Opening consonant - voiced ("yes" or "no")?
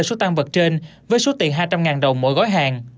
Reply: no